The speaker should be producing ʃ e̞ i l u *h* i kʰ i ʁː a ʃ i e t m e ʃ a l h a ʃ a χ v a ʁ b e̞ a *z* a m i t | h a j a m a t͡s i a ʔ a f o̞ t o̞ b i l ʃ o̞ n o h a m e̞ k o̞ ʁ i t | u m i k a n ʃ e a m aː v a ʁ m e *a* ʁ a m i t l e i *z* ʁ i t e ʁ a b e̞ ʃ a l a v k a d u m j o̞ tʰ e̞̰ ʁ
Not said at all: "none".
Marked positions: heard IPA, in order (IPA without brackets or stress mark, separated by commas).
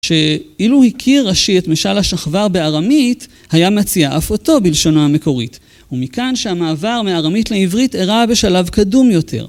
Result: h, ʁ, a, v